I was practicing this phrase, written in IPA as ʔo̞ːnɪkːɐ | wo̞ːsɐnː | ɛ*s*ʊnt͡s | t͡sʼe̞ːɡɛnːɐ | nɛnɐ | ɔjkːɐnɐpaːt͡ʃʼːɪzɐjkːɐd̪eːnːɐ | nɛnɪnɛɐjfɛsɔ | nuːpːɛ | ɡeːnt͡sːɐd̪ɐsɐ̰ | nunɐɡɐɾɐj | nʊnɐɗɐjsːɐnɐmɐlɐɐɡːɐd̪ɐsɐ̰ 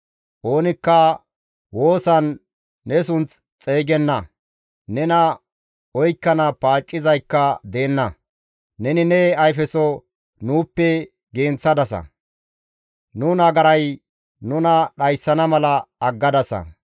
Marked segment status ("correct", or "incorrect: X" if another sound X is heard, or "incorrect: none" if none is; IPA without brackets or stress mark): correct